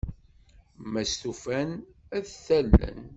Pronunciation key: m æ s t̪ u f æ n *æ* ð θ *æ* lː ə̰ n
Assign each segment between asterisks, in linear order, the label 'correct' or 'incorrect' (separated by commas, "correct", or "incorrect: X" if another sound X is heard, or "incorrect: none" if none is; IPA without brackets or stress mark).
correct, correct